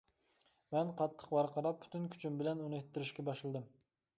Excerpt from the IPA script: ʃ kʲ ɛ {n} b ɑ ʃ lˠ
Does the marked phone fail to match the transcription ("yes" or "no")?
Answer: yes